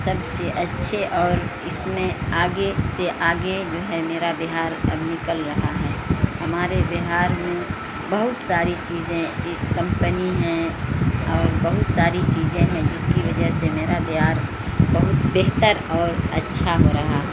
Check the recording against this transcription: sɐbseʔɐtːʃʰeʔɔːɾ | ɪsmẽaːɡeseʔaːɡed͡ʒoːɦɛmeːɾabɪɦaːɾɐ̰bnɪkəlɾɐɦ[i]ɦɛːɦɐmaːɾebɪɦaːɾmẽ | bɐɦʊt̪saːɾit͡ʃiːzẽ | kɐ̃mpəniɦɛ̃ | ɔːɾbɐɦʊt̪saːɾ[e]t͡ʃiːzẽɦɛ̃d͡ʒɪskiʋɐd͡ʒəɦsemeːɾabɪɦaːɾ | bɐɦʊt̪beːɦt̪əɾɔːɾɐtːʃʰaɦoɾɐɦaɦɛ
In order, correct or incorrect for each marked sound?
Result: incorrect, incorrect

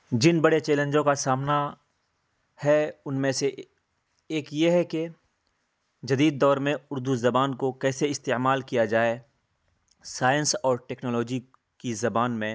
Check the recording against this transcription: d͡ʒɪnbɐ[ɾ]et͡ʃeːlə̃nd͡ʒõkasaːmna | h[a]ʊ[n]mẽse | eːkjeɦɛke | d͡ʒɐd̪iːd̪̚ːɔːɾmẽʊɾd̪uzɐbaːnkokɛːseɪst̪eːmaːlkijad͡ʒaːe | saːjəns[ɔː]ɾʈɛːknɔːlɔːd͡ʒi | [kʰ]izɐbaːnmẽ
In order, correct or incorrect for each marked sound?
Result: incorrect, incorrect, correct, correct, incorrect

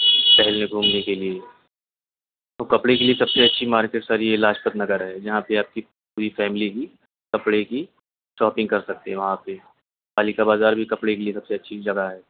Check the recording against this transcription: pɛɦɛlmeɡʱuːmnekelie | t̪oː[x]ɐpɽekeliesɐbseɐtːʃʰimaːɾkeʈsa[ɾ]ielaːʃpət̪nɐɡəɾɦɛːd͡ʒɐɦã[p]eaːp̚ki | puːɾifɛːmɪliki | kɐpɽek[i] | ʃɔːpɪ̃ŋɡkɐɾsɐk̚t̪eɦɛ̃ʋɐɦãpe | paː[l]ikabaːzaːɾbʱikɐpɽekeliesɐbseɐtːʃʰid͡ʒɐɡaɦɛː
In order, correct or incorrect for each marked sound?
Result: incorrect, correct, correct, correct, correct

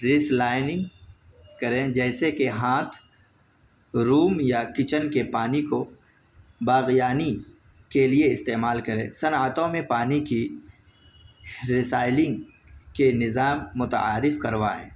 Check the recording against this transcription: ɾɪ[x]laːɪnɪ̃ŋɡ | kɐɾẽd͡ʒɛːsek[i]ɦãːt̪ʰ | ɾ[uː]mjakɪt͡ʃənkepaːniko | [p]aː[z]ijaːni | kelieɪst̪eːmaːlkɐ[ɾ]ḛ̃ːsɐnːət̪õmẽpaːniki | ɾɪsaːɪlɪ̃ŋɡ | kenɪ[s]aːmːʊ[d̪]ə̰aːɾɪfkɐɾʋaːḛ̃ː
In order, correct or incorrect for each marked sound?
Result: incorrect, incorrect, correct, incorrect, incorrect, correct, incorrect, incorrect

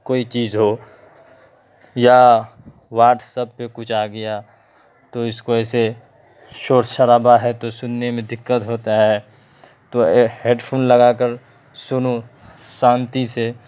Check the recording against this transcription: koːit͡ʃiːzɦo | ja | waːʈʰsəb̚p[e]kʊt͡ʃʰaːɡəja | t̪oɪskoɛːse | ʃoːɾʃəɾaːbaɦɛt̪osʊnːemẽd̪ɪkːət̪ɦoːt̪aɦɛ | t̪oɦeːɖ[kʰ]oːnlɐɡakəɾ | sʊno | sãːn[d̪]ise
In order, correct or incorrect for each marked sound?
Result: correct, incorrect, incorrect

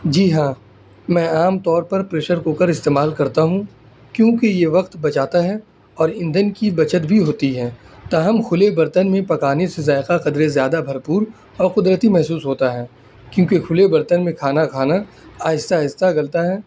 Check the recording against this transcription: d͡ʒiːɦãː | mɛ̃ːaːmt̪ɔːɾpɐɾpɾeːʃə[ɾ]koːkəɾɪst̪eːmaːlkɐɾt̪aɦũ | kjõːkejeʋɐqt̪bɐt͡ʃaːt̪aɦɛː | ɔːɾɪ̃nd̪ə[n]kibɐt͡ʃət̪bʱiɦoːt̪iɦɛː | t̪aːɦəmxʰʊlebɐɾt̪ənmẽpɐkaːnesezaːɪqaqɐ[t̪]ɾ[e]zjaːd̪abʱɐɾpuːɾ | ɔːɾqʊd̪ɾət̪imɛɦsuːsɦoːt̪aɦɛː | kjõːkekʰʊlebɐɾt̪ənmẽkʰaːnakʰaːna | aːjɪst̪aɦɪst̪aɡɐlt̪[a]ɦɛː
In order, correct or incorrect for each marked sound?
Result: correct, correct, incorrect, correct, correct

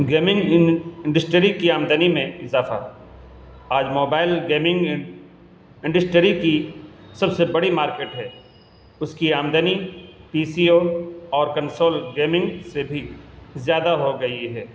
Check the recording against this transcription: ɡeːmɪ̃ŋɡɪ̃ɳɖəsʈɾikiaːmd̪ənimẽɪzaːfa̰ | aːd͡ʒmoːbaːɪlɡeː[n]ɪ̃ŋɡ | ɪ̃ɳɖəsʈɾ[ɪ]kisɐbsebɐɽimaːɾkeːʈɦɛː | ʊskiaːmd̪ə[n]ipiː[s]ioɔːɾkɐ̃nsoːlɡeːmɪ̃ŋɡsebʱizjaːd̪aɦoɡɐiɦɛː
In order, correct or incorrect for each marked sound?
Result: incorrect, incorrect, correct, correct

